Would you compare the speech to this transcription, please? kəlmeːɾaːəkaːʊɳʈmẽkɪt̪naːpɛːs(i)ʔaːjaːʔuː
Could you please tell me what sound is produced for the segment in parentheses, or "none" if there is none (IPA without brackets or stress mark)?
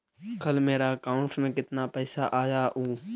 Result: a